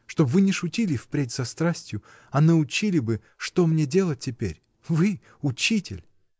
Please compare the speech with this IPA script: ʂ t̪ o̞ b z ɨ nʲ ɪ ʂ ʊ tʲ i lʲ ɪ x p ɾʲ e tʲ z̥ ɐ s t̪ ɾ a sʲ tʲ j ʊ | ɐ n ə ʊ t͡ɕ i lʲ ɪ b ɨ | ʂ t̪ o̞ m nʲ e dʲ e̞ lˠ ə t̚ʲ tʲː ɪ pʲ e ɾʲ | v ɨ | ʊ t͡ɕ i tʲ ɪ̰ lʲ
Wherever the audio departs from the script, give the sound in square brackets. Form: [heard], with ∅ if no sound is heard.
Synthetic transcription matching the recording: ʂ t̪ o̞ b [v] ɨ nʲ ɪ ʂ ʊ tʲ i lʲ ɪ [f] p ɾʲ e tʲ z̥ ɐ s t̪ ɾ a sʲ tʲ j ʊ | ɐ n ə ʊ t͡ɕ i lʲ ɪ b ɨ | ʂ t̪ o̞ m nʲ e dʲ e̞ lˠ ə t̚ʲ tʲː ɪ pʲ e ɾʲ | v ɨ | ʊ t͡ɕ i tʲ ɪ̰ lʲ